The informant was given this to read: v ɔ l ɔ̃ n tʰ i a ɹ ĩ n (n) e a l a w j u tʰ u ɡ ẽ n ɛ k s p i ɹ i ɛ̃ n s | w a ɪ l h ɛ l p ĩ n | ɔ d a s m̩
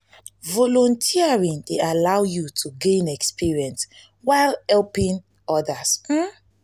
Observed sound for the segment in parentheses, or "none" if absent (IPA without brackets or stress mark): d